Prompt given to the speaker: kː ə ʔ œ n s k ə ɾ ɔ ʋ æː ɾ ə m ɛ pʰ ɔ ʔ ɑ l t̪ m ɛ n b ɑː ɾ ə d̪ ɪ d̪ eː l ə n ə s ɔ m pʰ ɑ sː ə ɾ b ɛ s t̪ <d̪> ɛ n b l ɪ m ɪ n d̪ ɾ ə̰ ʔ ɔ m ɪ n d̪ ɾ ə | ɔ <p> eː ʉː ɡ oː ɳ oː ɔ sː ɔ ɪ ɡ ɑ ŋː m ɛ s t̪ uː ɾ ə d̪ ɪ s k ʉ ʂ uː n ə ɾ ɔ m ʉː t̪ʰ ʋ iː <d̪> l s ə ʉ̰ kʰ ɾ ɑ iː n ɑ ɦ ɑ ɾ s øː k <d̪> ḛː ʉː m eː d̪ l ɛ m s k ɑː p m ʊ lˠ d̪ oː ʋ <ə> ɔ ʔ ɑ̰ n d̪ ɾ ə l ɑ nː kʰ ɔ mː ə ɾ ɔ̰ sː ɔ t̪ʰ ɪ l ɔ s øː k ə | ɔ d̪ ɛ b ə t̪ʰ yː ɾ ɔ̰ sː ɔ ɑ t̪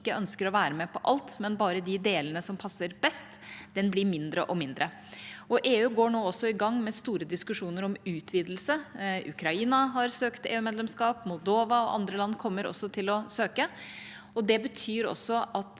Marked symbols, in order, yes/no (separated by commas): yes, no, yes, no, no